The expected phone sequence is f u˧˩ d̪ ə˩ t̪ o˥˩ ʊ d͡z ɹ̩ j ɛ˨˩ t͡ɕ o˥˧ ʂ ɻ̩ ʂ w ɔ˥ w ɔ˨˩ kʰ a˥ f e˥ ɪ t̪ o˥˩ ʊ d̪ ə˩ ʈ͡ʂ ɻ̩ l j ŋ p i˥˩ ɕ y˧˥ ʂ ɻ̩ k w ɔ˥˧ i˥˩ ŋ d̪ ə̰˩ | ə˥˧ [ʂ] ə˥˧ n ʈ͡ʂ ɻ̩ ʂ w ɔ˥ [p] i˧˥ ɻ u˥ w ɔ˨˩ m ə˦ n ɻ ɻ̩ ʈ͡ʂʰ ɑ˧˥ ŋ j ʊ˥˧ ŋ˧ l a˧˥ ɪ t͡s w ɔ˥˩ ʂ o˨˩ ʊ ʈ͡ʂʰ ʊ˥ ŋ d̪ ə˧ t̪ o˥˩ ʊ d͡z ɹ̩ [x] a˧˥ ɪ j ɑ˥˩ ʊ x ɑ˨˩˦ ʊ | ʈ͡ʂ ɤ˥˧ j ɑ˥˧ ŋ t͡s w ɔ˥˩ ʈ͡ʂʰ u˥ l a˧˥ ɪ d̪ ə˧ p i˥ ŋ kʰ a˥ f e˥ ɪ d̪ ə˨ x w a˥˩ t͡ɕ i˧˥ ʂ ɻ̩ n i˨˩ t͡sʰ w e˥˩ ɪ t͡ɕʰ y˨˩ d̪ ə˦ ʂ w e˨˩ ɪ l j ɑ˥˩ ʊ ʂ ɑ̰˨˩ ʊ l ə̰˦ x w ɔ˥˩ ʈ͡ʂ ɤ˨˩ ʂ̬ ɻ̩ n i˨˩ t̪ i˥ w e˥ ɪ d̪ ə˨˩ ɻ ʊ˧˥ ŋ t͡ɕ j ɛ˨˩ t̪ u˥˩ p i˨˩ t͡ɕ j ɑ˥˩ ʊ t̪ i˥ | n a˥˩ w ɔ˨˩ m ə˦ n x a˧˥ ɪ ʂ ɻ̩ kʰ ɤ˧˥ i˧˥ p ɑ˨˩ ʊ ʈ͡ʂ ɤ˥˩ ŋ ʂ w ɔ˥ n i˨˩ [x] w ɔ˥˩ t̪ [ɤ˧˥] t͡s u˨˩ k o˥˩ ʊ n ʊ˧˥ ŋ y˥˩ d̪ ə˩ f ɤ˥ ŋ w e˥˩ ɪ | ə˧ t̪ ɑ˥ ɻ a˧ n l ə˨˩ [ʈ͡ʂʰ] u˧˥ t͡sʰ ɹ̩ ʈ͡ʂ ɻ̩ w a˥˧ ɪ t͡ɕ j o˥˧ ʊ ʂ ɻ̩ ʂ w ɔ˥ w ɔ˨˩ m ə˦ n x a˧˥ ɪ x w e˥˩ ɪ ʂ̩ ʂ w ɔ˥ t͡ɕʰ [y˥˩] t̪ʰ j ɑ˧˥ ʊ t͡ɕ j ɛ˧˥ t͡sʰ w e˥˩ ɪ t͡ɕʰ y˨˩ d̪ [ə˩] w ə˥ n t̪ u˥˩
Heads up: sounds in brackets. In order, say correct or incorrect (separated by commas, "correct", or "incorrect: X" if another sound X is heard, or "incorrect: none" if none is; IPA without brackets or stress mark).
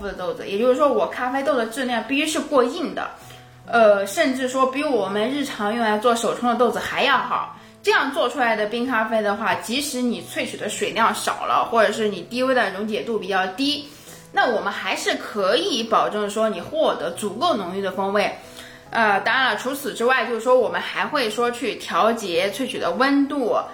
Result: correct, correct, correct, correct, correct, correct, correct, incorrect: ə˦